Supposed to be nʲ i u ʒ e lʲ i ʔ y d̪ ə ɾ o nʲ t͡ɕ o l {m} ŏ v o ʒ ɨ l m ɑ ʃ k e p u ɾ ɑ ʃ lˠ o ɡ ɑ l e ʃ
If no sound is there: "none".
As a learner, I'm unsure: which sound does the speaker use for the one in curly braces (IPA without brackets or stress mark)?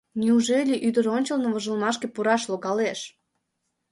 n